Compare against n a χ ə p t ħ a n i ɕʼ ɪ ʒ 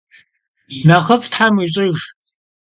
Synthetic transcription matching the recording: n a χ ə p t ħ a m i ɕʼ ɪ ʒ